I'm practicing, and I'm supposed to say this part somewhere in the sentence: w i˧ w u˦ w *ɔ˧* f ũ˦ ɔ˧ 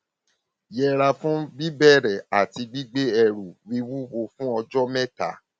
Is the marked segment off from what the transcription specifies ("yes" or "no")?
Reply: yes